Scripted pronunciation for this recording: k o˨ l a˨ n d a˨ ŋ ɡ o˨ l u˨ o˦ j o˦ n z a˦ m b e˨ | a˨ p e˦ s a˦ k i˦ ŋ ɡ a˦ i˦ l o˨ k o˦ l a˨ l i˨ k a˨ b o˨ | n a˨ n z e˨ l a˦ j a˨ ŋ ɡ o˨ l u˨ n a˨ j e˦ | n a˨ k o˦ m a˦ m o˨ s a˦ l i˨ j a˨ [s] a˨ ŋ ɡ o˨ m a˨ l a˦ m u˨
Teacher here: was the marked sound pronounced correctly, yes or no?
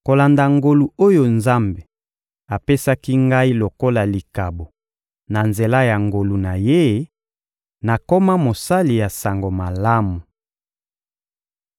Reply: yes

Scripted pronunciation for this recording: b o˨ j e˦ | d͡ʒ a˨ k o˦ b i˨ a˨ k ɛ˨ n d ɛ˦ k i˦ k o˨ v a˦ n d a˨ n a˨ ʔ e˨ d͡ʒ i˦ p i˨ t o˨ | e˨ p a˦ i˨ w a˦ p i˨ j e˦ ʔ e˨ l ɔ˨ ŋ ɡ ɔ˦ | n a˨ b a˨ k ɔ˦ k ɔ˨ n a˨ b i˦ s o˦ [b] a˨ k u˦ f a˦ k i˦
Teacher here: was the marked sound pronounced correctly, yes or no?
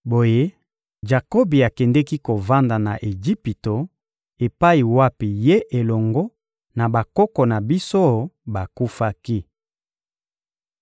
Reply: yes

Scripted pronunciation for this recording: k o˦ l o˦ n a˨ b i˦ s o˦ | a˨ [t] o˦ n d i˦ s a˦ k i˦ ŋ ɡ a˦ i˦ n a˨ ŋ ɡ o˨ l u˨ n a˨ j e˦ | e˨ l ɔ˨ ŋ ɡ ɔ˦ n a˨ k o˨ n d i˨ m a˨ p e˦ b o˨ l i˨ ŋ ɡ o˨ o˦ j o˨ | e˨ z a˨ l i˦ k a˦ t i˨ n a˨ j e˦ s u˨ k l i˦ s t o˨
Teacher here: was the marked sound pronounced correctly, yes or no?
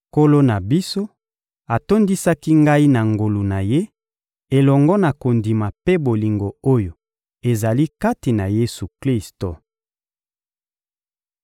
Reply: yes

